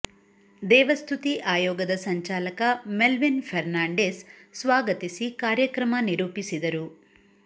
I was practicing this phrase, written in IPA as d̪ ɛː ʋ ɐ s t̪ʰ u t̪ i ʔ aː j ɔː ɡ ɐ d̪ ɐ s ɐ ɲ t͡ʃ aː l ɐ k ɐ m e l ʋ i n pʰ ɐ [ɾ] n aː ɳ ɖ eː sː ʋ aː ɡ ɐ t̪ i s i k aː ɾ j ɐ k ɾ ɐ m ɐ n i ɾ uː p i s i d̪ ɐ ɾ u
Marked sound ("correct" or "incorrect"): correct